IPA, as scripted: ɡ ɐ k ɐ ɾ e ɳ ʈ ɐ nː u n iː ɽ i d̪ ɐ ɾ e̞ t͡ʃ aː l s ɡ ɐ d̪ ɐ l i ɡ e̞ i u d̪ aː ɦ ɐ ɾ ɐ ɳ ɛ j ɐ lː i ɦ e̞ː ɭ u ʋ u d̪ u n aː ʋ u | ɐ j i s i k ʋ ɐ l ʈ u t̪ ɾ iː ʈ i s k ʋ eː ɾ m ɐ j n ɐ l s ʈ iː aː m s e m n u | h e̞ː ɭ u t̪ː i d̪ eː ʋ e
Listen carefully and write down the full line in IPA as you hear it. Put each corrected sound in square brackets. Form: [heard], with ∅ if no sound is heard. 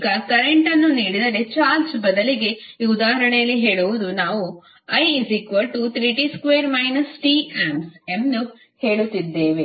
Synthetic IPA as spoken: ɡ ɐ k ɐ ɾ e ɳ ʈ ɐ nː u n iː ɽ i d̪ ɐ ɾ e̞ t͡ʃ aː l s [b] ɐ d̪ ɐ l i ɡ e̞ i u d̪ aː ɦ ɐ ɾ ɐ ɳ ɛ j ɐ lː i ɦ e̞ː ɭ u ʋ u d̪ u n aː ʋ u | ɐ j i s i k ʋ ɐ l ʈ u t̪ ɾ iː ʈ i s k ʋ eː ɾ m ɐ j n ɐ [∅] s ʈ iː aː m s e m n u | h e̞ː ɭ u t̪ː i [d̪ː] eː ʋ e